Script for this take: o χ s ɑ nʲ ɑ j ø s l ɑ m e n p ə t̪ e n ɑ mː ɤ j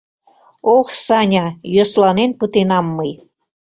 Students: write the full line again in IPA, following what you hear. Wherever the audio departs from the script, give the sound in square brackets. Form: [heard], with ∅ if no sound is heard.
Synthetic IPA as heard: o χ s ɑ nʲ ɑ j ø s l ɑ [n] e n p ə t̪ e n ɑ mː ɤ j